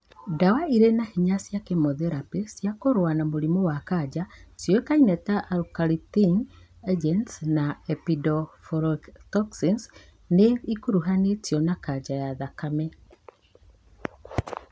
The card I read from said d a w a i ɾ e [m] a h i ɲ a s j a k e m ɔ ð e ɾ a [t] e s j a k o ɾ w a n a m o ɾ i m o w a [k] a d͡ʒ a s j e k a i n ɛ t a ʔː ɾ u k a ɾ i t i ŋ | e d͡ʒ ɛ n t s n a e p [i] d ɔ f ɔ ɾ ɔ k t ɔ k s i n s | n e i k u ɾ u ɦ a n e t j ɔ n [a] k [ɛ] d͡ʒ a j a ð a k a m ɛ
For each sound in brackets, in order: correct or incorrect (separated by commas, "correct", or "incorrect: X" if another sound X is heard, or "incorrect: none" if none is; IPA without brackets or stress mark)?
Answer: incorrect: n, incorrect: p, correct, correct, correct, incorrect: a